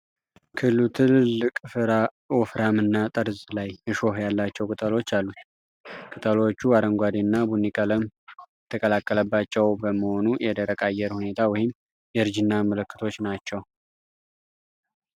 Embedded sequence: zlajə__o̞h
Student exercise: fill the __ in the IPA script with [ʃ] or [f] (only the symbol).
ʃ